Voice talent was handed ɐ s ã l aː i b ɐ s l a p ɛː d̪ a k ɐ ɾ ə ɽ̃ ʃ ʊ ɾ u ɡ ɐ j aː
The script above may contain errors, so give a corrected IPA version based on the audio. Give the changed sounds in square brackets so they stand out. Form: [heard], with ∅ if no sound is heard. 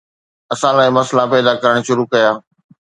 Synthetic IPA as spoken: ɐ s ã l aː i [m] ɐ s l a p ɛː d̪ a k ɐ ɾ ə ɽ̃ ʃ ʊ ɾ u [k] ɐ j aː